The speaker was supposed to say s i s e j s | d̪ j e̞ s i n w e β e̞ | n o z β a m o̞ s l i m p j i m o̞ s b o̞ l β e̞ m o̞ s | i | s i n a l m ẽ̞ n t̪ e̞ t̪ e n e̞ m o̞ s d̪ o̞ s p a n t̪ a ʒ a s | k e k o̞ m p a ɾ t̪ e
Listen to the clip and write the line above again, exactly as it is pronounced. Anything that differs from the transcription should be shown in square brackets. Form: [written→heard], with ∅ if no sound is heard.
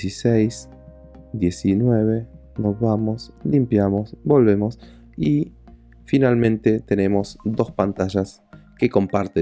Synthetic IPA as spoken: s i s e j s | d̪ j e̞ s i n w e β e̞ | n o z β a m o̞ s l i m p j [i→a] m o̞ s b o̞ l β e̞ m o̞ s | i | [s→f] i n a l m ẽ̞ n t̪ e̞ t̪ e n e̞ m o̞ s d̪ o̞ s p a n t̪ a ʒ a s | k e k o̞ m p a ɾ t̪ e